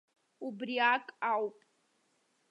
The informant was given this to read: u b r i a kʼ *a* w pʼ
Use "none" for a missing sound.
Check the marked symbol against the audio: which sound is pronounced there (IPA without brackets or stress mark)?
a